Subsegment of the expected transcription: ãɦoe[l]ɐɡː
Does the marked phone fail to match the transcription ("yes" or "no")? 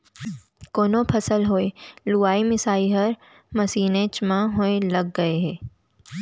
no